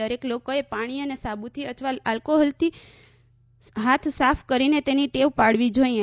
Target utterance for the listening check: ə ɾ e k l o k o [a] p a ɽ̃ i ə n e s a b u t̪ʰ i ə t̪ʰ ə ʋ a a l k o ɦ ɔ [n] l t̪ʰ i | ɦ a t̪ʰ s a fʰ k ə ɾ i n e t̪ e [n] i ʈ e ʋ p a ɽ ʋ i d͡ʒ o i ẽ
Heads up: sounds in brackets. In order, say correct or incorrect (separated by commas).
incorrect, incorrect, correct